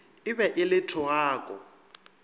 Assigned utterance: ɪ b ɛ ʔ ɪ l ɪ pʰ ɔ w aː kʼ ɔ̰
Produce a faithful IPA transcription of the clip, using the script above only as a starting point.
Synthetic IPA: ɪ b ɛ ʔ ɪ l ɪ tʰ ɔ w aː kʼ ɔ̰